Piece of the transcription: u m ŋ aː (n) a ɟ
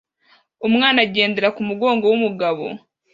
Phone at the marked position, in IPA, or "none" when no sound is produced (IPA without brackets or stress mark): n